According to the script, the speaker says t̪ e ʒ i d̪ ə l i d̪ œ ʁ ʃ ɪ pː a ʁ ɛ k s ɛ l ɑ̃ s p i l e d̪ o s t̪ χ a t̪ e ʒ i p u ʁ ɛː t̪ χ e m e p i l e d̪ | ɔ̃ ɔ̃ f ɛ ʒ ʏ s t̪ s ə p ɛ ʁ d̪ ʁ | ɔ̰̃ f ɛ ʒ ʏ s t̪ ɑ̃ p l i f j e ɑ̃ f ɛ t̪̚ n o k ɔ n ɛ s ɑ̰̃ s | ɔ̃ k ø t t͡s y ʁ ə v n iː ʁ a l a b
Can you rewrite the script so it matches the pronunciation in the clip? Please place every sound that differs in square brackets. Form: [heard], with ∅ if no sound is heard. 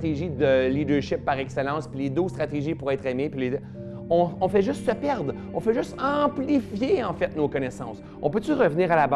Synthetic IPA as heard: t̪ e ʒ i d̪ ə l i d̪ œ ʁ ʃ ɪ pː a ʁ ɛ k s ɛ l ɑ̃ s p i l e d̪ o s t̪ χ a t̪ e ʒ i p u ʁ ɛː t̪ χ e m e p i l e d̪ | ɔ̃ ɔ̃ f ɛ ʒ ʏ s t̪ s ə p ɛ ʁ d̪ ʁ | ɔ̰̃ f ɛ ʒ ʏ s t̪ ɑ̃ p l i f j e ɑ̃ f ɛ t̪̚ n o k ɔ n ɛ s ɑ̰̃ s | ɔ̃ [p] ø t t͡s y ʁ ə v n iː ʁ a l a b